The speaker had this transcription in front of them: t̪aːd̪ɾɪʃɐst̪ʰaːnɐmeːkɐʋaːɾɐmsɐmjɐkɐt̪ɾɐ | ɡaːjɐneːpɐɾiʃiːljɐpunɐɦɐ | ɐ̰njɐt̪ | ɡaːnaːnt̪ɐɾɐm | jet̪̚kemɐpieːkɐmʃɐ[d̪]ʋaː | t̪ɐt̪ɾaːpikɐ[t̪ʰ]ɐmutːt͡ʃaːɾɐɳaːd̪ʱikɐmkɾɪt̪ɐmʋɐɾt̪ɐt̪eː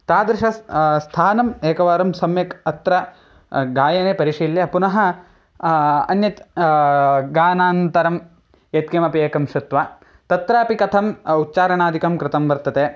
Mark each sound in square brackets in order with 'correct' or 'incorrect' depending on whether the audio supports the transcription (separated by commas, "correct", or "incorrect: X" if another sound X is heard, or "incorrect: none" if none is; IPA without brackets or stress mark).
incorrect: t̪, correct